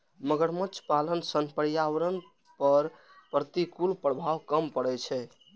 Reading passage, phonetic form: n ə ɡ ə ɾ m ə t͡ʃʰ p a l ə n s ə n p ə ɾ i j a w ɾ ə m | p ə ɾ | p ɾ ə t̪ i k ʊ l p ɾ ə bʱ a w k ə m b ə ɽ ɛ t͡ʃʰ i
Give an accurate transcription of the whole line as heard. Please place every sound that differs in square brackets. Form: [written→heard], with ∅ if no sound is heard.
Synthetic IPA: [n→m] ə ɡ ə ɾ m ə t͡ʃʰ p a l ə n s ə n p ə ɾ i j a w ɾ ə [m→n] | p ə ɾ | p ɾ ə t̪ i k [ʊ→u] l p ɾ ə bʱ a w k ə m [b→p] ə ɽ ɛ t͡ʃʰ [i→ɛ]